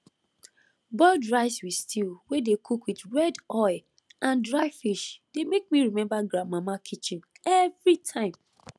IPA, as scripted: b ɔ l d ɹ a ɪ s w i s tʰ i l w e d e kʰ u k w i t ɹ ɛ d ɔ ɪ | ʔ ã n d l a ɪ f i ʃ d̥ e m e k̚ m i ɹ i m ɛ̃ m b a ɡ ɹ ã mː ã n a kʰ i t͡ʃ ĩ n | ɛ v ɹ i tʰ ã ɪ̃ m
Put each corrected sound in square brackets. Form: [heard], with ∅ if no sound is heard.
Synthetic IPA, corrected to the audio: b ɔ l d ɹ a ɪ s w i s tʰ i l w e d e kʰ u k w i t ɹ ɛ d ɔ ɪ | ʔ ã n d [ɹ] a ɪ f i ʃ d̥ e m e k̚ m i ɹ i m ɛ̃ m b a ɡ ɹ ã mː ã [m] a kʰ i t͡ʃ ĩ n | ɛ v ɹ i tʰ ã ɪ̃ m